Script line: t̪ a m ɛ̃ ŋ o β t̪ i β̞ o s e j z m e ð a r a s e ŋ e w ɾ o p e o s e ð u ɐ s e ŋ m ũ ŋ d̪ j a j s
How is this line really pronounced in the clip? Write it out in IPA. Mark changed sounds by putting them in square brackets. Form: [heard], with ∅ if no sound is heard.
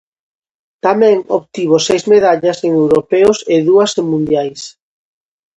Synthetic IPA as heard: t̪ a m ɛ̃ ŋ o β t̪ i β̞ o s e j z m e ð a [ʎ] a s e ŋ e w ɾ o p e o s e ð u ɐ s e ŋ m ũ [n] d̪ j a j s